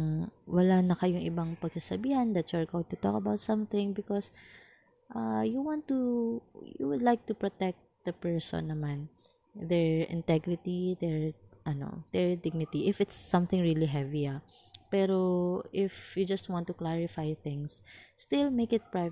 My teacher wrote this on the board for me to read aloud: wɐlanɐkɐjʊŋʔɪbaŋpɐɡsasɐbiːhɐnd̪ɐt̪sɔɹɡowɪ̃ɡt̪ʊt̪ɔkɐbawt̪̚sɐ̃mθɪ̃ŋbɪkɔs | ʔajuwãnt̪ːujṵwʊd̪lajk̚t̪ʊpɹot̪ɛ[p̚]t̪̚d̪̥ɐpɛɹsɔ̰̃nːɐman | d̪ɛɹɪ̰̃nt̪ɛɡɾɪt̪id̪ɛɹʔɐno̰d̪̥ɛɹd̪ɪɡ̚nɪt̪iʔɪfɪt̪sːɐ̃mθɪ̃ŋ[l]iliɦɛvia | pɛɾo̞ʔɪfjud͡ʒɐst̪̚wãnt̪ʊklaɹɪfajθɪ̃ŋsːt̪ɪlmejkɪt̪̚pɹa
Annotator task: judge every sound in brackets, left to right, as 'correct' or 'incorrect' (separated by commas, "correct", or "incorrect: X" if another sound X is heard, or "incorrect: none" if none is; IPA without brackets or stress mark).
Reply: incorrect: k̚, incorrect: ɹ